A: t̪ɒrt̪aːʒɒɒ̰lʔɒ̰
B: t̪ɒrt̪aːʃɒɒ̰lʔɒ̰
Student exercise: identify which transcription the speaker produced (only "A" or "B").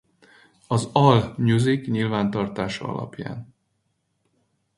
B